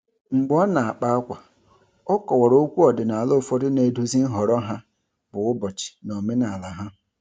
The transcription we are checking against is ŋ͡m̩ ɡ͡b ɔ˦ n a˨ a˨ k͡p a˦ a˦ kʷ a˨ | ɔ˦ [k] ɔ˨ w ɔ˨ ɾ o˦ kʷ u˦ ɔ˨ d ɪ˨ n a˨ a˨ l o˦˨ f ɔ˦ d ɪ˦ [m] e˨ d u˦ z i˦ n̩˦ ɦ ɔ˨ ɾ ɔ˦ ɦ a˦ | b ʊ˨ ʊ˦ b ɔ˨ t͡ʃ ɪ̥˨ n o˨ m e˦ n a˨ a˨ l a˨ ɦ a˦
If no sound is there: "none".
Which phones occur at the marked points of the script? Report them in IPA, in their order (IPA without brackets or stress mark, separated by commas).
k, n